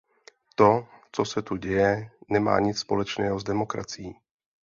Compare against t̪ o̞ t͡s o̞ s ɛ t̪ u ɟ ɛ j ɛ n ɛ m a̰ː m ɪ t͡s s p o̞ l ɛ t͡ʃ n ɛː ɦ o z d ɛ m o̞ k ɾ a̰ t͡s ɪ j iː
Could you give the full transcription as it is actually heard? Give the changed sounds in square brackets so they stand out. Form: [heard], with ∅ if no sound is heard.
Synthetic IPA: t̪ o̞ t͡s o̞ s ɛ t̪ u ɟ ɛ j ɛ n ɛ m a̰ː [ɲ] ɪ t͡s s p o̞ l ɛ t͡ʃ n ɛː ɦ o z d ɛ m o̞ k ɾ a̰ t͡s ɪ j iː